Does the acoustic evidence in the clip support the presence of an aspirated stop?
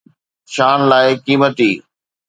no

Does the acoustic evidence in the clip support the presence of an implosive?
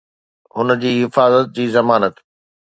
no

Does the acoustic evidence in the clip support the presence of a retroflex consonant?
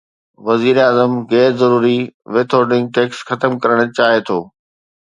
yes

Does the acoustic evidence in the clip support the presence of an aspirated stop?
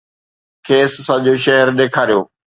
yes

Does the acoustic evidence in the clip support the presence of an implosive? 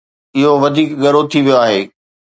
no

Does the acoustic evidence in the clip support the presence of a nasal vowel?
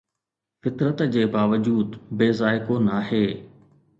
no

